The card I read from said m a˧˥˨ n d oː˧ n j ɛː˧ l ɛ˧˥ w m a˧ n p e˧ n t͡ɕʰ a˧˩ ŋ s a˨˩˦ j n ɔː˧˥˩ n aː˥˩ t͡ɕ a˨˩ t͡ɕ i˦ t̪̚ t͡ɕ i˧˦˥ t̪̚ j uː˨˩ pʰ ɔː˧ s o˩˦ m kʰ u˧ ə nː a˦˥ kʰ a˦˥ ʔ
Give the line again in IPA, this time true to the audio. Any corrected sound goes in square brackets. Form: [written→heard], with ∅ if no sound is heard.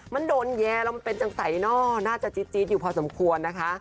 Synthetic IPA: m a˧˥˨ n d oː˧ n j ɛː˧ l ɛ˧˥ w m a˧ n p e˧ n [t͡ɕʰ→t͡ɕ] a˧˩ ŋ s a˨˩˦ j n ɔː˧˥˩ n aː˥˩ t͡ɕ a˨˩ t͡ɕ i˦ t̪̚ t͡ɕ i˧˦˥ t̪̚ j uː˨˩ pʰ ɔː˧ s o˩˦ m kʰ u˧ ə nː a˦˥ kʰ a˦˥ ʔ